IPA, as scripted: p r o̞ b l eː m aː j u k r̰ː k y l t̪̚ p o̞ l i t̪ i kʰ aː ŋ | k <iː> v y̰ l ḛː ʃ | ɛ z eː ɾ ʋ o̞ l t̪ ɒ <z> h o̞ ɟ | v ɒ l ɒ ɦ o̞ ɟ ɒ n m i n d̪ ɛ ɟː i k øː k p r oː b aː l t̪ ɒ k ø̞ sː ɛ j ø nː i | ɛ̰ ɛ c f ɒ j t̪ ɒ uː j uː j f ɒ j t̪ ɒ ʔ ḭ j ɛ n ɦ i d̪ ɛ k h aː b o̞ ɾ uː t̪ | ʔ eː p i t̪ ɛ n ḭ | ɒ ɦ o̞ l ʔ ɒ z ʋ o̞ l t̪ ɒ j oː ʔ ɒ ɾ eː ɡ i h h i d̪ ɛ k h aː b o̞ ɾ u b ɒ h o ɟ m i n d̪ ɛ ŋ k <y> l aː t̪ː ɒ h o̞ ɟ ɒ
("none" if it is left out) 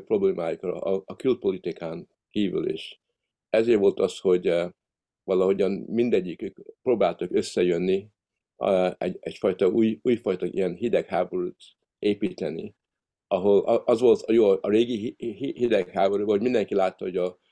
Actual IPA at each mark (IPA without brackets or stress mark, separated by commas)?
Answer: iː, s, i